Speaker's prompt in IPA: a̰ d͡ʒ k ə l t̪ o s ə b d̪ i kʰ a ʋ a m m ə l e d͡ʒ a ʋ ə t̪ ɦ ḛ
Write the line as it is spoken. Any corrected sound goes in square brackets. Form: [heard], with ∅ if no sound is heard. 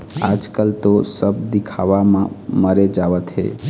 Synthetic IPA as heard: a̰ d͡ʒ k ə l t̪ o s ə b d̪ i kʰ a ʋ a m m ə [ɾ] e d͡ʒ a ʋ ə t̪ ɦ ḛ